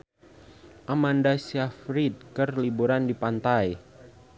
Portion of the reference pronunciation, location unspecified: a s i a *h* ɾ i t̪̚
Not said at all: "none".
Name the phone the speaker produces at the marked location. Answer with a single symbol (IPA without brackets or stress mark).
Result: f